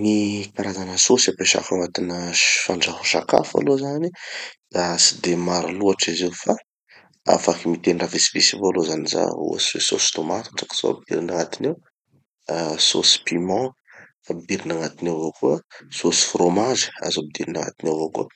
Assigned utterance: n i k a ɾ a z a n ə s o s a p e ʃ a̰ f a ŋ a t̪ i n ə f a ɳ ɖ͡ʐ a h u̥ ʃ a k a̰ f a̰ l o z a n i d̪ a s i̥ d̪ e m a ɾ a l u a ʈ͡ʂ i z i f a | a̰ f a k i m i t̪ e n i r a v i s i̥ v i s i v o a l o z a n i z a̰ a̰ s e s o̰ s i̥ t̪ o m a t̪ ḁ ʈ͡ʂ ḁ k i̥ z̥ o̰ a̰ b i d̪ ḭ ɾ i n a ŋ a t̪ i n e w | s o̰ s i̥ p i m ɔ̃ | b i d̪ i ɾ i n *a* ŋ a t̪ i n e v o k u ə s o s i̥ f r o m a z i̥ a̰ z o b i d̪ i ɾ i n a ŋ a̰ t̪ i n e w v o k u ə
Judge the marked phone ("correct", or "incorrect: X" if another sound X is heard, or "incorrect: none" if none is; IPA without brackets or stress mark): correct